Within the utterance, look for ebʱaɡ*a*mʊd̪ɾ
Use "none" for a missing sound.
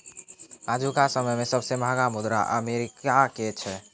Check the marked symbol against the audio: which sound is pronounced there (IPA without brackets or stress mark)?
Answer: a